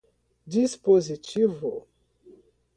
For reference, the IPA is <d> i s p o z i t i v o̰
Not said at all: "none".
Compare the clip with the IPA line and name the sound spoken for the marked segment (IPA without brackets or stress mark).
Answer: d